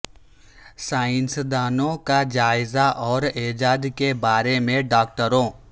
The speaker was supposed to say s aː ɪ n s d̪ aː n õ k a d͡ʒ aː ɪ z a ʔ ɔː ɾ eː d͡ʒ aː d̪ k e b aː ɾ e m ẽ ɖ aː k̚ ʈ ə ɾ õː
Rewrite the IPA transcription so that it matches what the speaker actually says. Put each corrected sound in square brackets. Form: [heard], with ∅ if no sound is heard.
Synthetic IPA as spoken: s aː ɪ n s d̪ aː n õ k a d͡ʒ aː ɪ z a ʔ ɔː ɾ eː d͡ʒ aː d̪ k e b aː ɾ e m ẽ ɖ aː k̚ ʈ ə ɾ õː